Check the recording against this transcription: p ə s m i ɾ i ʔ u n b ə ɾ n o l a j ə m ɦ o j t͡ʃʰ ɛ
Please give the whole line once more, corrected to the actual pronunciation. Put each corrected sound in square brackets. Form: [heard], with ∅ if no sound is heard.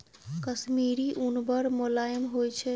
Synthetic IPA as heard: [k] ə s m i ɾ i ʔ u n b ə ɾ [m] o l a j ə m ɦ o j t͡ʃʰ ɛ